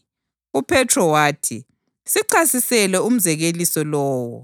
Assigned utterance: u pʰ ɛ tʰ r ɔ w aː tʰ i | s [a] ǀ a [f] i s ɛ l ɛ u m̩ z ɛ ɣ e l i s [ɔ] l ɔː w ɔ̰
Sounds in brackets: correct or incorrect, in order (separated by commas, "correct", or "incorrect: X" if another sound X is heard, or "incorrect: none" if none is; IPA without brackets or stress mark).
incorrect: i, incorrect: s, correct